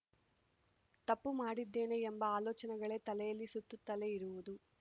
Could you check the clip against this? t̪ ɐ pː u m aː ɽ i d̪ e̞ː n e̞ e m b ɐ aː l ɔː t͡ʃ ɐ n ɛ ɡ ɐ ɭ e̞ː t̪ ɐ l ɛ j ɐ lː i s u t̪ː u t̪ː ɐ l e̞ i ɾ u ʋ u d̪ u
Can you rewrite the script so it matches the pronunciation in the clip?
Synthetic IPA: t̪ ɐ pː u m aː ɽ i d̪ː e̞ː n e̞ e m b ɐ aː l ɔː t͡ʃ ɐ n ɛ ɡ ɐ ɭ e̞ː t̪ ɐ l ɛ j ɐ lː i s u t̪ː u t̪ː ɐ l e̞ i ɾ u ʋ u d̪ u

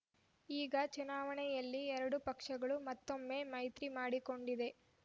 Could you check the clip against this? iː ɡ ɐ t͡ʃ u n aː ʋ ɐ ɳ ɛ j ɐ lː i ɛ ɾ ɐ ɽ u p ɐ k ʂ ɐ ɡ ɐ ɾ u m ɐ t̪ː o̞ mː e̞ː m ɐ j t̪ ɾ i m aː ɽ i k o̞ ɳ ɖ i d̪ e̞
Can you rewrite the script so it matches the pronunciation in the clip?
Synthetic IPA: iː ɡ ɐ t͡ʃ u n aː ʋ ɐ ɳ ɛ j ɐ lː i ɛ ɾ ɐ ɽ u p ɐ k ʂ ɐ ɡ ɐ ɭ u m ɐ t̪ː o̞ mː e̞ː m ɐ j t̪ ɾ i m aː ɽ i k o̞ ɳ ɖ i d̪ e̞

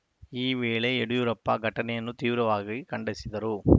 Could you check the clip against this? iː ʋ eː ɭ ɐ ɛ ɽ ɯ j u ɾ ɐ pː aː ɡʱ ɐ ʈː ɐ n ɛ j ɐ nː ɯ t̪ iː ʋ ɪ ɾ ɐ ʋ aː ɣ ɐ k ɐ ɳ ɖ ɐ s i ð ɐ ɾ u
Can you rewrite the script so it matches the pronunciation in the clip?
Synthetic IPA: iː ʋ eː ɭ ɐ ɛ ɽ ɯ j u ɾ ɐ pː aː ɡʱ ɐ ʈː ɐ n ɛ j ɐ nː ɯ t̪ iː ʋ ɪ ɾ ɐ ʋ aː ɣ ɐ k ɐ ɳ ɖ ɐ s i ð ɐ ɾ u

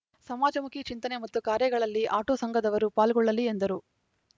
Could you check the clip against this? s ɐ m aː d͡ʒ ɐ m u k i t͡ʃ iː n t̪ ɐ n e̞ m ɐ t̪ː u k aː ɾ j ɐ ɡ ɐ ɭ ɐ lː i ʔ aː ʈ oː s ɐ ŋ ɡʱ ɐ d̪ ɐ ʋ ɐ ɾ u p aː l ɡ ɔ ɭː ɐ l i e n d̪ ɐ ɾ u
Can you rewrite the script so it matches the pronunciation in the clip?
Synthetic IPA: s ɐ m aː d͡ʒ ɐ m u k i t͡ʃ i n t̪ ɐ n e̞ m ɐ t̪ː u k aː ɾ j ɐ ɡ ɐ ɭ ɐ lː i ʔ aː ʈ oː s ɐ ŋ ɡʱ ɐ d̪ ɐ ʋ ɐ ɾ u p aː l ɡ ɔ ɭː ɐ l i e n d̪ ɐ ɾ u

